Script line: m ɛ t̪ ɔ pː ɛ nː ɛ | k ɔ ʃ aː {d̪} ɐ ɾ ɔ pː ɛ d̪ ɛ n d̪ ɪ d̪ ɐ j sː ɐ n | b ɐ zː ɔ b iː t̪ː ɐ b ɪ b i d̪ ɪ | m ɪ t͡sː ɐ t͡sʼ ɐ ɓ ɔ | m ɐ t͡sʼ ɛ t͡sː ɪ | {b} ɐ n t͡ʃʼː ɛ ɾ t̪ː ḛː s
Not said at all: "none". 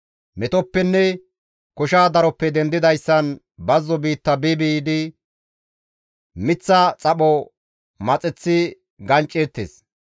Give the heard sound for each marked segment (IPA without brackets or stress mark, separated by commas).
d̪, ɡ